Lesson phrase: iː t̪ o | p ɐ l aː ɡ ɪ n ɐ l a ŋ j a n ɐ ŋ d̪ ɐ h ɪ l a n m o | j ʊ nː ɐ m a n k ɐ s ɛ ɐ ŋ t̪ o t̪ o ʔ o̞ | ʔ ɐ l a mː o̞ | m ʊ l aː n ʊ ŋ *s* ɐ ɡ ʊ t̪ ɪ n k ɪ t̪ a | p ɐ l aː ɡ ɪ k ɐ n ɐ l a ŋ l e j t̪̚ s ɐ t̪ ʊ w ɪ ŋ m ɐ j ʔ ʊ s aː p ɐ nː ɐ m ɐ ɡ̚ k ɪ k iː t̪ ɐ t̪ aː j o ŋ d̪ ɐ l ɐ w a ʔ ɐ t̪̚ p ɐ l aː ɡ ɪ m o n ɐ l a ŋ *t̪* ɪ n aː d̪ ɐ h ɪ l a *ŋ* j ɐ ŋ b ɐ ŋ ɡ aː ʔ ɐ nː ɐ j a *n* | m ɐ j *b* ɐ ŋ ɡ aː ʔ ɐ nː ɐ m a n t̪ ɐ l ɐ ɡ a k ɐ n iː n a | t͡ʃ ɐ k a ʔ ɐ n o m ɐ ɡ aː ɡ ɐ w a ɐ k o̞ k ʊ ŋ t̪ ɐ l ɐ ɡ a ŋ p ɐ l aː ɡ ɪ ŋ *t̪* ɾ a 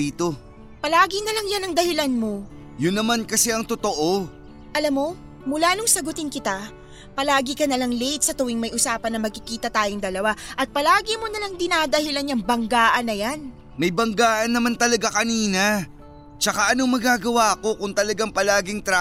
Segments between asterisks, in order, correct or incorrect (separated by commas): correct, incorrect, incorrect, correct, correct, correct